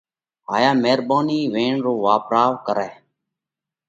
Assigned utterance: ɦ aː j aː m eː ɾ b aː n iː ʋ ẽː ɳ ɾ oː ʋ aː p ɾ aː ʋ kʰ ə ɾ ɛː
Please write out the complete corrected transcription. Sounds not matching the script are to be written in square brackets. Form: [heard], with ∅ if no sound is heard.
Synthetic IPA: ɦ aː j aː m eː ɾ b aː n iː ʋ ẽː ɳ ɾ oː ʋ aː p ɾ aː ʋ [k] ə ɾ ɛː